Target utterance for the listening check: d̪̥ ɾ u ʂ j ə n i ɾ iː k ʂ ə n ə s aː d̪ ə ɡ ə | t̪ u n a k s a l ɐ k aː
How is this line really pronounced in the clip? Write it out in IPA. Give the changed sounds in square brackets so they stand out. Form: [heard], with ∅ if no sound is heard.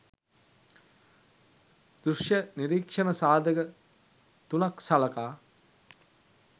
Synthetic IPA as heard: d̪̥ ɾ u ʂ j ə n i ɾ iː k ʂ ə n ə s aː d̪ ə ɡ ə | t̪ u n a k s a l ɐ k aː